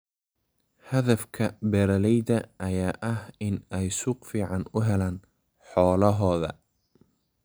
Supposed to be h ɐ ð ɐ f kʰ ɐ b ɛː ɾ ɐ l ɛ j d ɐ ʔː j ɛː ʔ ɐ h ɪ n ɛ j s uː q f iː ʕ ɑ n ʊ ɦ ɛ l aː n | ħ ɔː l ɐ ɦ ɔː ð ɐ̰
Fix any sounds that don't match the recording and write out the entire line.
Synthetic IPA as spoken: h ɐ ð ɐ f kʰ ɐ b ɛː ɾ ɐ l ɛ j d ɐ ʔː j aː ʔ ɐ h ɪ n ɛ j s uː q f iː ʕ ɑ n ʊ ɦ ɛ l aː n | ħ ɔː l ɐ ɦ ɔː ð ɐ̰

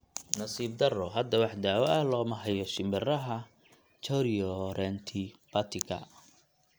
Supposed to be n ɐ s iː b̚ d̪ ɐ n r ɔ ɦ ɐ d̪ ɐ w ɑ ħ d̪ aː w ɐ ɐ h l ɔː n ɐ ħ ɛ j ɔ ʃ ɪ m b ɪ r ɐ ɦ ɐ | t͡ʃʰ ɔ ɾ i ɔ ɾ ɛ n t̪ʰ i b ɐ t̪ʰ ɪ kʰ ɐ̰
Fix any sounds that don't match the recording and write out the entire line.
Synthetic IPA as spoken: n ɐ s iː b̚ d̪ ɐ r ɔ ɦ ɐ d̪ ɐ w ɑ ħ d̪ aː w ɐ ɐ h l ɔː m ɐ ħ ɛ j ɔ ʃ ɪ m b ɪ r ɐ ɦ ɐ | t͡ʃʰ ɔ ɾ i ɔ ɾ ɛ n t̪ʰ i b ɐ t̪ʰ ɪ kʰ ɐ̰

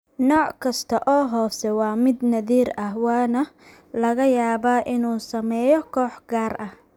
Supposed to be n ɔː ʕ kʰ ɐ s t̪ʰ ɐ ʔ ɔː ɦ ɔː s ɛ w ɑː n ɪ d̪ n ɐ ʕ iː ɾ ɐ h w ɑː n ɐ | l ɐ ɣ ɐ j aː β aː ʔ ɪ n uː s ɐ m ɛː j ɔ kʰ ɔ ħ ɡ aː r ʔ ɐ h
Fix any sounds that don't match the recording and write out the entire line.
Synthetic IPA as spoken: n ɔː ʕ kʰ ɐ s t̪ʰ ɐ ʔ ɔː ɦ ɔː s ɛ w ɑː m ɪ d̪ n ɐ ð iː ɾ ɐ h w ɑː n ɐ | l ɐ ɣ ɐ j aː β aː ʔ ɪ n uː s ɐ m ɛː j ɔ kʰ ɔː ħ ɡ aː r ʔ ɐ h

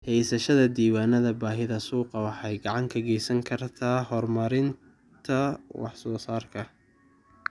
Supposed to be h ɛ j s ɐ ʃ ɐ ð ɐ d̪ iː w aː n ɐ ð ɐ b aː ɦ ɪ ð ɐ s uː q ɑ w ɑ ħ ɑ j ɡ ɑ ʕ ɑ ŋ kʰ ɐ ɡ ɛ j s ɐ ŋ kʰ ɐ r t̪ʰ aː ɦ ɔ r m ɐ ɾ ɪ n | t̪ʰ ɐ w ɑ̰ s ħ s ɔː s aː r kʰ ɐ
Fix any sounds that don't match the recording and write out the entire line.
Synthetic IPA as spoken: h ɛ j s ɐ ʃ ɐ ð ɐ d̪ iː w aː n ɐ ð ɐ b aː ɦ ɪ ð ɐ s uː q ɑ w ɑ ħ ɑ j ɡ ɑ ʕ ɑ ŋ kʰ ɐ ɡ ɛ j s ɐ ŋ kʰ ɐ r t̪ʰ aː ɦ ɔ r m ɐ ɾ ɪ n | t̪ʰ ɐ w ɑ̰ ħ s ɔː s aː r kʰ ɐ

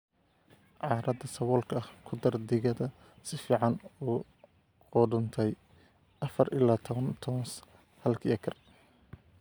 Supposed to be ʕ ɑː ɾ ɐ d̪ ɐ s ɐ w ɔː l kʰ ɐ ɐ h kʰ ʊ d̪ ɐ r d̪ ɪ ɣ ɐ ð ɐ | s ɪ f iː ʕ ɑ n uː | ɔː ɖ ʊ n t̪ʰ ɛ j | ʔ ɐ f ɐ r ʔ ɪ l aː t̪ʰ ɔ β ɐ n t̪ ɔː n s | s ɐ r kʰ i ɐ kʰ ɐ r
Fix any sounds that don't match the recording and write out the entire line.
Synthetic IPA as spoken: ʕ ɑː ɾ ɐ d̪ ɐ s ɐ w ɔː l kʰ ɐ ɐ h kʰ ʊ d̪ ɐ r d̪ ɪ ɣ ɐ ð ɐ | s ɪ f iː ʕ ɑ n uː | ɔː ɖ ʊ n t̪ʰ ɛ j | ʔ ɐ f ɐ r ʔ ɪ l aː t̪ʰ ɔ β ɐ n t̪ʰ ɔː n s | h ɐ l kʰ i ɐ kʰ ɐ r

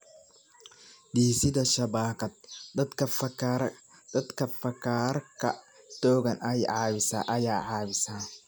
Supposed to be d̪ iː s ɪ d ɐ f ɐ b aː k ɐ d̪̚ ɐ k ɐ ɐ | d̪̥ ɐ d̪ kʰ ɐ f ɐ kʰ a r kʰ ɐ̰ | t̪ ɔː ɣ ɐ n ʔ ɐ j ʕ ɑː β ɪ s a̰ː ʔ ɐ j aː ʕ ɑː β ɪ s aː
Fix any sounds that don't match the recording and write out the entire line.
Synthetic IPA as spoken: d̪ iː s ɪ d ɐ ʃ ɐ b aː k ɐ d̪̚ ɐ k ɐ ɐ | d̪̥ ɐ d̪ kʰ ɐ f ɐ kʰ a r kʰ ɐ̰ | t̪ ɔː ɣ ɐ n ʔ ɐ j ʕ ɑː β ɪ s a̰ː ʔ ɐ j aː ʕ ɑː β ɪ s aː

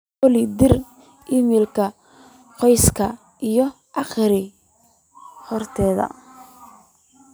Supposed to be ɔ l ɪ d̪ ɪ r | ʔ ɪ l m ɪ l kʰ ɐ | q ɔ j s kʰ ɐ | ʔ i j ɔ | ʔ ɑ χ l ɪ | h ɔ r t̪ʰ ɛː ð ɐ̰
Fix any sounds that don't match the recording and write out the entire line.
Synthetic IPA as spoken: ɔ l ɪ d̪ ɪ r | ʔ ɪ m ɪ l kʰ ɐ | q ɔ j s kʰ ɐ | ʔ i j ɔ | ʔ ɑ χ ɾ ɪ | h ɔ r t̪ʰ ɛː ð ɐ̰

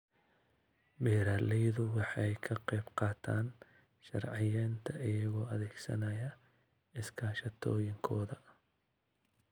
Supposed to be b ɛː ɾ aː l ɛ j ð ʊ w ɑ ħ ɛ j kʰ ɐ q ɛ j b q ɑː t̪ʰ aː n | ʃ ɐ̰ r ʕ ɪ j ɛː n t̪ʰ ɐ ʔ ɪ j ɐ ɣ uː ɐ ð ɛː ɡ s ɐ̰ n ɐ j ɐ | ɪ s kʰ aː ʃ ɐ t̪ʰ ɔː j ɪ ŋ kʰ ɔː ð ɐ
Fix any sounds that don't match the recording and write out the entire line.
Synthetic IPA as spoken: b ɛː ɾ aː l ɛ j ð ʊ w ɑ ħ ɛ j kʰ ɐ q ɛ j b q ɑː t̪ʰ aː n | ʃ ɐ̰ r ʕ ɪ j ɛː n t̪ʰ ɐ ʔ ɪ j ɐ ɣ ɔː ɐ ð ɛː ɡ s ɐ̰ n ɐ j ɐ | ɪ s kʰ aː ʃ ɐ t̪ʰ ɔː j ɪ ŋ kʰ ɔː ð ɐ

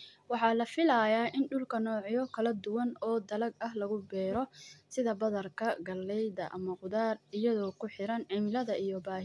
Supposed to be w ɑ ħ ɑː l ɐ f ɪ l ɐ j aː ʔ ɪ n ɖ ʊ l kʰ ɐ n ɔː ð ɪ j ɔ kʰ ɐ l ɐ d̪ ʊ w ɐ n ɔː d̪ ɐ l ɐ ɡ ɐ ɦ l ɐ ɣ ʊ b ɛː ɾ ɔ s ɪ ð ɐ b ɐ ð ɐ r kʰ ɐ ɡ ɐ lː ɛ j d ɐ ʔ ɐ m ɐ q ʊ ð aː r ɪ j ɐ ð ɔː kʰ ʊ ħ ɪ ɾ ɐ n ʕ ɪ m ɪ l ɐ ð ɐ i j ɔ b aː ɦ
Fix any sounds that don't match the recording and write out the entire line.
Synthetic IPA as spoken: w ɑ ħ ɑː l ɐ f ɪ l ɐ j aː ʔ ɪ n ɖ ʊ l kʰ ɐ n ɔː ʕ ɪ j ɔ kʰ ɐ l ɐ d̪ ʊ w ɐ n ɔː d̪ ɐ l ɐ ɡ ɐ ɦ l ɐ ɣ ʊ b ɛː ɾ ɔ s ɪ ð ɐ b ɐ ð ɐ r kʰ ɐ ɡ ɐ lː ɛ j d ɐ ʔ ɐ m ɐ q ʊ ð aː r ɪ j ɐ ð ɔː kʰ ʊ ħ ɪ ɾ ɐ n ʕ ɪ m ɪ l ɐ ð ɐ i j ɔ b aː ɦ

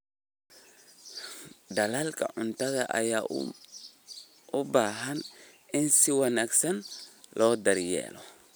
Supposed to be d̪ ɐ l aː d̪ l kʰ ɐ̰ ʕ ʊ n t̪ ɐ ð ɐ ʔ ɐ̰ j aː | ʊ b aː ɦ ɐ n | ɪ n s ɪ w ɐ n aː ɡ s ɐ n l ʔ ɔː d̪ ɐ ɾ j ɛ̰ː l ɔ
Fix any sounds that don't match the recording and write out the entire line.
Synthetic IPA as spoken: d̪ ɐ l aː l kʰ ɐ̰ ʕ ʊ n t̪ ɐ ð ɐ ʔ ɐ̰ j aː | ʊ b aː ɦ ɐ n | ɪ n s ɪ w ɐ n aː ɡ s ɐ n l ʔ ɔː d̪ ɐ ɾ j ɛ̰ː l ɔ

